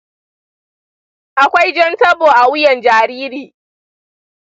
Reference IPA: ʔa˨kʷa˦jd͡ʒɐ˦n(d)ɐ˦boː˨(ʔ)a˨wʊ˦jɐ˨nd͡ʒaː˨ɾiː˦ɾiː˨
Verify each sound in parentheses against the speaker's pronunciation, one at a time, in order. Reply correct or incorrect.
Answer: incorrect: t, correct

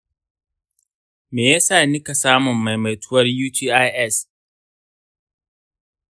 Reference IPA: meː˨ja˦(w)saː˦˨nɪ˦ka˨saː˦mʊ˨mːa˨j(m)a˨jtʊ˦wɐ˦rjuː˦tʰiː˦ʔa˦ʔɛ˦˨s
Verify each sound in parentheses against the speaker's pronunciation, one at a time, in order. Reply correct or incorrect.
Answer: incorrect: none, correct

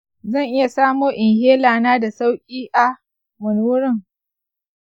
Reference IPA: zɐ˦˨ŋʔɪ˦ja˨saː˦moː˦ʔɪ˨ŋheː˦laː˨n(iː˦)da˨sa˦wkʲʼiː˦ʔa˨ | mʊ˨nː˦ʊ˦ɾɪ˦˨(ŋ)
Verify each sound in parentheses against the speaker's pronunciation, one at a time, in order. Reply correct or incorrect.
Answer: incorrect: aː˦, correct

